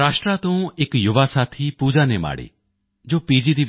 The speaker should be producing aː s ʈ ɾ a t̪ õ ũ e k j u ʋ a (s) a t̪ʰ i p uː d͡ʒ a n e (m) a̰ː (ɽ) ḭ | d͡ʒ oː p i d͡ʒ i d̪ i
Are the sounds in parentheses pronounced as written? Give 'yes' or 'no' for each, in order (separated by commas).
yes, yes, yes